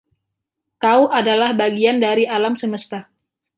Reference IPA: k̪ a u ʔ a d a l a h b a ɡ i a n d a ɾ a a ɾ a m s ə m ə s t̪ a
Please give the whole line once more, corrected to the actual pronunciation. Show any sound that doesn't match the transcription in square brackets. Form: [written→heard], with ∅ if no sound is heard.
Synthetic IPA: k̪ a u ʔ a d a l a h b a ɡ i a n d a ɾ [a→i] a [ɾ→l] a m s ə m ə s t̪ a